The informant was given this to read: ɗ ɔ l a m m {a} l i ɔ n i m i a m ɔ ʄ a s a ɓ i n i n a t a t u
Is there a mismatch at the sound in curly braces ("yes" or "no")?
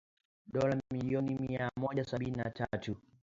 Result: yes